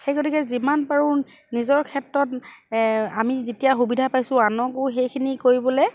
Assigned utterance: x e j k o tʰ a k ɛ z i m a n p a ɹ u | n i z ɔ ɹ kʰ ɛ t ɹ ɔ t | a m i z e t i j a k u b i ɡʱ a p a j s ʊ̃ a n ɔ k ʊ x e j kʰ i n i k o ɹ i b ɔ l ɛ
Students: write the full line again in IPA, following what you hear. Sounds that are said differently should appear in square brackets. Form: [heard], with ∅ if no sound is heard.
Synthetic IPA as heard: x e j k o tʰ [i] k ɛ z i m a n p a ɹ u | n i z ɔ ɹ kʰ ɛ t ɹ ɔ t | a m i z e t i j a [x] u b i [dʱ] a p a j s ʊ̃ a n ɔ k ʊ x e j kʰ i n i k o ɹ i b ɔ l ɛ